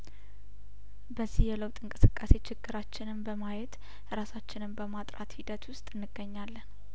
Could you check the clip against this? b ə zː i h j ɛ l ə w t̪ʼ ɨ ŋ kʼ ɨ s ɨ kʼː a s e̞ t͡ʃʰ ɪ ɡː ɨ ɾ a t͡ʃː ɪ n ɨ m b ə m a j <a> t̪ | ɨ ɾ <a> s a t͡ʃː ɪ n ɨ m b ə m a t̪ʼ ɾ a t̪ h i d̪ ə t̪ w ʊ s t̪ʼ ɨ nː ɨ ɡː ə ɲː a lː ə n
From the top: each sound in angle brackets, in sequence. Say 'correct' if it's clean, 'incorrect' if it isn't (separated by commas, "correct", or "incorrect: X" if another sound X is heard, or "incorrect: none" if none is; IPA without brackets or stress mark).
incorrect: ɛ, correct